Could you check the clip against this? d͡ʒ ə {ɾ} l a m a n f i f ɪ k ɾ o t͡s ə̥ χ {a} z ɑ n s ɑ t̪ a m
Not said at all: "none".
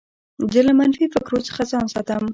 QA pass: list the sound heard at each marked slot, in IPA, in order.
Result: none, a

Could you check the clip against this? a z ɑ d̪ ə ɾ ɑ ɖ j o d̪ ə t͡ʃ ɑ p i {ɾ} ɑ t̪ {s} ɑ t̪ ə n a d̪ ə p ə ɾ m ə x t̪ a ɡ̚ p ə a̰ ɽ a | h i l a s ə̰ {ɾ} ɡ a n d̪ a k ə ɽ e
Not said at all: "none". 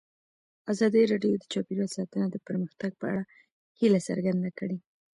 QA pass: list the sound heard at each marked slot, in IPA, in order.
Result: ɾ, s, ɾ

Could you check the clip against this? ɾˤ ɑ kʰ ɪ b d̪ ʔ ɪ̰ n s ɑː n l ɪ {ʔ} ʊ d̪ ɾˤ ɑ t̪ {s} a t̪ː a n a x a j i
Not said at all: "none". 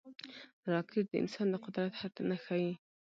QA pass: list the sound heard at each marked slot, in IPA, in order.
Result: q, ħ

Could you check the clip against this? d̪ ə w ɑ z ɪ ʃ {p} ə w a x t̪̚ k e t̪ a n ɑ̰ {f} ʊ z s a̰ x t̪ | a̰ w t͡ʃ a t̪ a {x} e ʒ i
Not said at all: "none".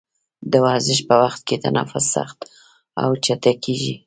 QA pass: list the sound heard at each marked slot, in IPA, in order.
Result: p, f, k

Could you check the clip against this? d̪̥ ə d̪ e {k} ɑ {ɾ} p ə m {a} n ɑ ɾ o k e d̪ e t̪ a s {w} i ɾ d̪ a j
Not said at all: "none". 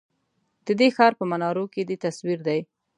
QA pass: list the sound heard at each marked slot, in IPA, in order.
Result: x, ɾ, a, w

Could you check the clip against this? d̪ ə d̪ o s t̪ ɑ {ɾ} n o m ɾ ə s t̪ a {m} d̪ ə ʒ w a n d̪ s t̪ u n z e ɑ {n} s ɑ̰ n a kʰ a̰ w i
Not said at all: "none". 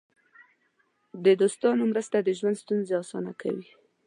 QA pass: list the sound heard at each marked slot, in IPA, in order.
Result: none, none, none

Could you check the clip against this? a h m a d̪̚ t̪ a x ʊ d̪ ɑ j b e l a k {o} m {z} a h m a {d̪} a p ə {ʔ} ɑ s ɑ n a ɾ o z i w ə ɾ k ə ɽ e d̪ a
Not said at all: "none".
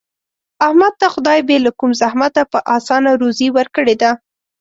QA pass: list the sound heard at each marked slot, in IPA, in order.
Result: u, z, t̪, ʔ

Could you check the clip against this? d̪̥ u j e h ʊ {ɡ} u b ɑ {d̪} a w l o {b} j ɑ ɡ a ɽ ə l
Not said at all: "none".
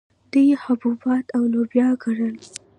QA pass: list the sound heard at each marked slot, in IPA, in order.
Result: b, t̪, b

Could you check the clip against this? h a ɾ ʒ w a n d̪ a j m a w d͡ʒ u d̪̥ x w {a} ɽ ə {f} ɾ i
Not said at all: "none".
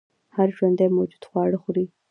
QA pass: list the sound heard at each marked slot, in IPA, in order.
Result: ɑ, x

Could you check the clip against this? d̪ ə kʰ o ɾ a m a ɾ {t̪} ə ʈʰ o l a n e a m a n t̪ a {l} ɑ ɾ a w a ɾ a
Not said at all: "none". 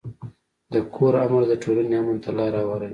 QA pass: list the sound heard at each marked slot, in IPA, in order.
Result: d̪, l

